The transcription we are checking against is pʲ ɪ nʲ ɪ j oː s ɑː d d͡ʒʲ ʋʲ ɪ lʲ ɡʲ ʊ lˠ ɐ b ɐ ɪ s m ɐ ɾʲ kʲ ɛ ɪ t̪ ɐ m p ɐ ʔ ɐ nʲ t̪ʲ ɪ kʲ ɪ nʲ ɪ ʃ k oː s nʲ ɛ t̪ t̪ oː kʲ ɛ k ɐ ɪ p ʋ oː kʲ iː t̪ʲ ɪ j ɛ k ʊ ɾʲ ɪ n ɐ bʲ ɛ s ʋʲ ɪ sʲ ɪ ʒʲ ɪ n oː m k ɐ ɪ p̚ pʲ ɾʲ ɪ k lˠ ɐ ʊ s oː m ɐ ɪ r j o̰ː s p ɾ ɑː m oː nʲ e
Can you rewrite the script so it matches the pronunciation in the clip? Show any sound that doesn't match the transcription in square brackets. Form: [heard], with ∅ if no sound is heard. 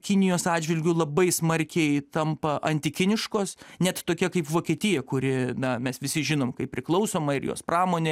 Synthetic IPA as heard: [kʲ] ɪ nʲ ɪ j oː s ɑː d d͡ʒʲ ʋʲ ɪ lʲ ɡʲ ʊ lˠ ɐ b ɐ ɪ s m ɐ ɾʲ kʲ ɛ ɪ t̪ ɐ m p ɐ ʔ ɐ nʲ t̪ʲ ɪ kʲ ɪ nʲ ɪ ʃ k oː s nʲ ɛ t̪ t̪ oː kʲ ɛ k ɐ ɪ p ʋ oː kʲ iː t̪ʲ ɪ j ɛ k ʊ ɾʲ ɪ n ɐ [mʲ] ɛ s ʋʲ ɪ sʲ ɪ ʒʲ ɪ n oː m k ɐ ɪ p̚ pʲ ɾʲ ɪ k lˠ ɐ ʊ s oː m ɐ ɪ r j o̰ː s p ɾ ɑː m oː nʲ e

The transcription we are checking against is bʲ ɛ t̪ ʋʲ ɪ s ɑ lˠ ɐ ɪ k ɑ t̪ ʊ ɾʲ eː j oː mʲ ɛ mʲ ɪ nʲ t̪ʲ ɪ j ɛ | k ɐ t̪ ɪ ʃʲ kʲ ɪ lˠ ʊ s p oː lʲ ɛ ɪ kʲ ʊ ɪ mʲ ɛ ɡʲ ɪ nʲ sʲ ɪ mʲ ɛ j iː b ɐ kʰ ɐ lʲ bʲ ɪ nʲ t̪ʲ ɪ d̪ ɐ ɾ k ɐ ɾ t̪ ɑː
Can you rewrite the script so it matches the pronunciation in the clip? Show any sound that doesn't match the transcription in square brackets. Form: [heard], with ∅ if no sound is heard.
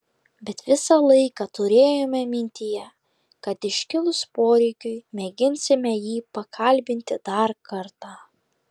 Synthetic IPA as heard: bʲ ɛ t̪ ʋʲ ɪ s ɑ lˠ ɐ ɪ k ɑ t̪ ʊ ɾʲ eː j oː mʲ ɛ mʲ ɪ nʲ t̪ʲ ɪ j ɛ | k ɐ t̪ ɪ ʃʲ kʲ ɪ lˠ ʊ s p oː [ɾʲ] ɛ ɪ kʲ ʊ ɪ mʲ ɛ ɡʲ ɪ nʲ sʲ ɪ mʲ ɛ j iː [p] ɐ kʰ ɐ lʲ bʲ ɪ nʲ t̪ʲ ɪ d̪ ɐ ɾ k ɐ ɾ t̪ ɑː

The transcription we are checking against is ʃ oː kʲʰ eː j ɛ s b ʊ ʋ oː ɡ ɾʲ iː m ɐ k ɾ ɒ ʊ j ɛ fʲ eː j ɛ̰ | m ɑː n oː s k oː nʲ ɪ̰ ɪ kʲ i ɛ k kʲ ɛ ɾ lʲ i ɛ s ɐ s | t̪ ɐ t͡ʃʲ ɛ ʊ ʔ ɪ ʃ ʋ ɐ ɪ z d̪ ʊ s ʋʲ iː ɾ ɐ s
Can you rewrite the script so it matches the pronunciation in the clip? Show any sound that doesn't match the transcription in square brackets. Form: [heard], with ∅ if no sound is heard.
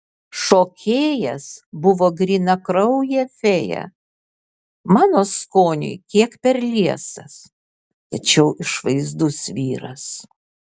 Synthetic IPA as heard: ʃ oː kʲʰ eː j ɛ s b ʊ ʋ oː ɡ ɾʲ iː [n] ɐ k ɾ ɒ ʊ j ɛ fʲ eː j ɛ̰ | m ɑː n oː s k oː nʲ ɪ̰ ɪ kʲ i ɛ k [pʲ] ɛ ɾ lʲ i ɛ s ɐ s | t̪ ɐ t͡ʃʲ ɛ ʊ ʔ ɪ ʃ ʋ ɐ ɪ z d̪ ʊ s ʋʲ iː ɾ ɐ s

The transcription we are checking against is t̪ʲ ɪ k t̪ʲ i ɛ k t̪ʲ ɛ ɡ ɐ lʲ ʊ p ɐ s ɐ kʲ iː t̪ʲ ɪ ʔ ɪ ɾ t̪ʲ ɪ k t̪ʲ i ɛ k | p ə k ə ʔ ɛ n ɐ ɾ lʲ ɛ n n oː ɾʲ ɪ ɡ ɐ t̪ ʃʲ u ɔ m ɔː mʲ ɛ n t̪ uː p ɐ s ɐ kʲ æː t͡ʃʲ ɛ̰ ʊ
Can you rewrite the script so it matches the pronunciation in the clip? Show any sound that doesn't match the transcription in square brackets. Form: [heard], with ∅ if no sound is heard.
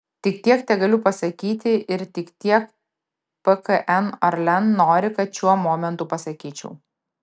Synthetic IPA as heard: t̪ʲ ɪ k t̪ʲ i ɛ k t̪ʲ ɛ ɡ ɐ lʲ ʊ p ɐ s ɐ kʲ iː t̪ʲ ɪ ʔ ɪ ɾ t̪ʲ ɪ k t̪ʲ i ɛ k | p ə k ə ʔ ɛ n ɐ ɾ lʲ ɛ n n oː ɾʲ ɪ [k] ɐ t̪ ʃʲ u ɔ m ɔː mʲ ɛ n t̪ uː p ɐ s ɐ kʲ [iː] t͡ʃʲ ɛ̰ ʊ

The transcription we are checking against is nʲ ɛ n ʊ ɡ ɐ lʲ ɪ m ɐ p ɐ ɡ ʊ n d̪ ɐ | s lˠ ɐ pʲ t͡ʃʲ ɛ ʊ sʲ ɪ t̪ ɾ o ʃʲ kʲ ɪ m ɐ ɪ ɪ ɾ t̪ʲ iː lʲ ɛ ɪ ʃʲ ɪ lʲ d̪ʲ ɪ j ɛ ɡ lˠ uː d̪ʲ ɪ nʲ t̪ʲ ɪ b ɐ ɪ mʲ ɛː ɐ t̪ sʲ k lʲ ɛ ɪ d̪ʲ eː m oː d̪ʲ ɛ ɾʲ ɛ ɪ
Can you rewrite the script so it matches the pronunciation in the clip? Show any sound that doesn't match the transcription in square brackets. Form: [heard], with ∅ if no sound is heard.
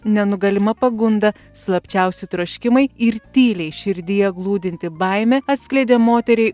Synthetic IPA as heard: nʲ ɛ n ʊ ɡ ɐ lʲ ɪ m ɐ p ɐ ɡ ʊ n d̪ ɐ | s lˠ ɐ pʲ t͡ʃʲ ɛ ʊ sʲ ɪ t̪ ɾ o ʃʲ kʲ ɪ m ɐ ɪ ɪ ɾ t̪ʲ iː lʲ ɛ ɪ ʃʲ ɪ [ɾʲ] d̪ʲ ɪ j ɛ ɡ lˠ uː d̪ʲ ɪ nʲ t̪ʲ ɪ b ɐ ɪ mʲ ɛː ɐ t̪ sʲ k lʲ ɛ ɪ d̪ʲ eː m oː [t̪ʲ] ɛ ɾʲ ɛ ɪ

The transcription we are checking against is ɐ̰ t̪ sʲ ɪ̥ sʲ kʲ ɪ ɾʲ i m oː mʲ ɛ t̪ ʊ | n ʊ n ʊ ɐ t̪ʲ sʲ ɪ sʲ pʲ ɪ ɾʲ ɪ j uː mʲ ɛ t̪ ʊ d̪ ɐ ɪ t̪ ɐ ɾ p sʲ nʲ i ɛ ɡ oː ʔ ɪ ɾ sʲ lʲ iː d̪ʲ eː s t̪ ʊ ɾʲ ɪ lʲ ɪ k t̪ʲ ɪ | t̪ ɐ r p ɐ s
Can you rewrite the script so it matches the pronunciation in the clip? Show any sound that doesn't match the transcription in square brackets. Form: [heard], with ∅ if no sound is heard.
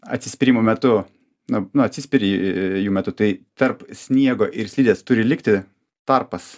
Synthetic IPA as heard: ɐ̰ t̪ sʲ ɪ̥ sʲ [pʲ] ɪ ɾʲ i m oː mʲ ɛ t̪ ʊ | n ʊ n ʊ ɐ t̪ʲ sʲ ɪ sʲ pʲ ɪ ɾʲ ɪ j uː mʲ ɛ t̪ ʊ [t̪] ɐ ɪ t̪ ɐ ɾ p sʲ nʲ i ɛ ɡ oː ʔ ɪ ɾ sʲ lʲ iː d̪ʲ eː s t̪ ʊ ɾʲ ɪ lʲ ɪ k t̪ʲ ɪ | t̪ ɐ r p ɐ s

